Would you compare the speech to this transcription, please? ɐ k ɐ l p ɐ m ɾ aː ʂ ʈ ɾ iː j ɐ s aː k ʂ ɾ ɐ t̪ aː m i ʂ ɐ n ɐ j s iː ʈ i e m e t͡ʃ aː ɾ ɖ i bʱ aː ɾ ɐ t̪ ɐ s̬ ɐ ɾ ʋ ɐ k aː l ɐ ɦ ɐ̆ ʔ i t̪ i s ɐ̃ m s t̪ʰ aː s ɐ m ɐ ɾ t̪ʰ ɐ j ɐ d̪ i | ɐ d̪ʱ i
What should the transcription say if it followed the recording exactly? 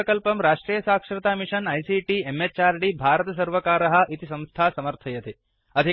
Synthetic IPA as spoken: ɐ k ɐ l p ɐ m ɾ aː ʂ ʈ ɾ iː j ɐ s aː k ʂ ɾ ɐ t̪ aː m i ʂ ɐ n ɐ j s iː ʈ i e m e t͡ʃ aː ɾ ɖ i bʱ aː ɾ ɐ t̪ ɐ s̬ ɐ ɾ ʋ ɐ k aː ɾ ɐ ɦ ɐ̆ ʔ i t̪ i s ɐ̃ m s t̪ʰ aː s ɐ m ɐ ɾ t̪ʰ ɐ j ɐ t̪ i | ɐ d̪ʱ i